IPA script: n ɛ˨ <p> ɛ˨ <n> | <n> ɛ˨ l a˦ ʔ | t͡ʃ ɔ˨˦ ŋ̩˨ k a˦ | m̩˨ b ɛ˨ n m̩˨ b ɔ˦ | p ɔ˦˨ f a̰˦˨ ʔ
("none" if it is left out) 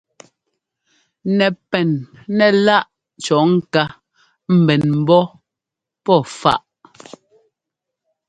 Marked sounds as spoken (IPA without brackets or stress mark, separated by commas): p, n, n